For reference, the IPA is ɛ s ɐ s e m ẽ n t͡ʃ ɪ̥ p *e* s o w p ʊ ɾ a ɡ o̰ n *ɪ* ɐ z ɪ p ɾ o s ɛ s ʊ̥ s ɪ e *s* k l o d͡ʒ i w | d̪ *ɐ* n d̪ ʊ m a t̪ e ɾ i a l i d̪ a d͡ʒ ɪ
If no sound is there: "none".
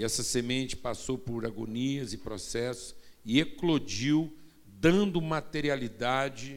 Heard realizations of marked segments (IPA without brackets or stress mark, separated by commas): a, i, none, ɐ̃